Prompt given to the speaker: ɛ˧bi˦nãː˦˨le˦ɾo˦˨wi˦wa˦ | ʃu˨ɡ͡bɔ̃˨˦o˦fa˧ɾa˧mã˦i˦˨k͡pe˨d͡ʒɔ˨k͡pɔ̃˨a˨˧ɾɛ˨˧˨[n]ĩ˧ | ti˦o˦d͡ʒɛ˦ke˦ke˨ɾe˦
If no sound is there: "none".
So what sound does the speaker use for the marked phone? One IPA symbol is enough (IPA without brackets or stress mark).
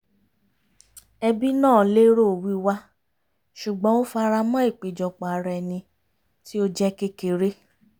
n